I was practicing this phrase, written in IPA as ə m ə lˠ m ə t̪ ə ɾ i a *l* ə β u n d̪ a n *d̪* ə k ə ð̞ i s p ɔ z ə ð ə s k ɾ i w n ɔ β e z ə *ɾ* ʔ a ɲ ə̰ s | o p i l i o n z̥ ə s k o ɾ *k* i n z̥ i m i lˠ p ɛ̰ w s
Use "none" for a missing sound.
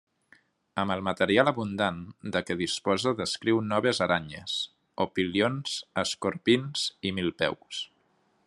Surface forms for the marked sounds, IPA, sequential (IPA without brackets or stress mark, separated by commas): l, d̪, ɾ, p